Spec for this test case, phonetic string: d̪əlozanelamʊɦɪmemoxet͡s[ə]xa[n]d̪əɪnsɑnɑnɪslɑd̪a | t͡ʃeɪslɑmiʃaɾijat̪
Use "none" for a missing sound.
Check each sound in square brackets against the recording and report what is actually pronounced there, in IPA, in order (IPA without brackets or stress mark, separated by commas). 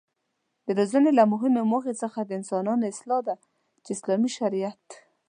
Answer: ə, none